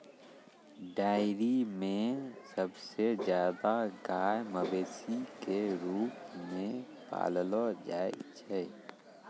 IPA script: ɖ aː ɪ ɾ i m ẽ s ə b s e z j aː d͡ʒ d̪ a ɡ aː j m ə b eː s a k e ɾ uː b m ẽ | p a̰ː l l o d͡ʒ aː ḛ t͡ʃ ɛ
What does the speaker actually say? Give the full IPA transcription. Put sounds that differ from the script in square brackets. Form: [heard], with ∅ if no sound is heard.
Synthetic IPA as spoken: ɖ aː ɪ ɾ i m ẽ s ə b s e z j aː [∅] d̪ a ɡ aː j m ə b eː s [i] k e ɾ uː [p] m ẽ | p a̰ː l l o d͡ʒ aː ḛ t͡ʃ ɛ